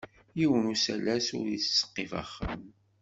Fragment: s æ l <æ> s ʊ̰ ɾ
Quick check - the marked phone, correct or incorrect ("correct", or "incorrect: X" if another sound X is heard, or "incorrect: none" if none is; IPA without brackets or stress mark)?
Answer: correct